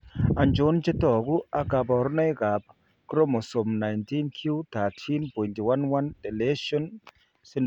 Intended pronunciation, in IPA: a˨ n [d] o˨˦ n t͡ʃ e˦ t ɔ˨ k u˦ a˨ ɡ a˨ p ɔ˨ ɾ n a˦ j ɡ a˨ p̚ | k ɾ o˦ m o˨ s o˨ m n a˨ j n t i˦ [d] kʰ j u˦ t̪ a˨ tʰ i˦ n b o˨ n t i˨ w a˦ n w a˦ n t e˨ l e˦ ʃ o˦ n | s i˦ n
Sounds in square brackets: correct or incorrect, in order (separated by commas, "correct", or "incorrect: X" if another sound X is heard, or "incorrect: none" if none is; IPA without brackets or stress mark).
incorrect: d͡ʒ, incorrect: n